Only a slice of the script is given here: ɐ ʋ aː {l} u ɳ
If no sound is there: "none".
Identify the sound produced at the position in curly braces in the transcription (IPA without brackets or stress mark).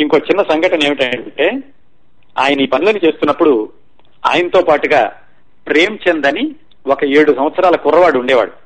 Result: ɽ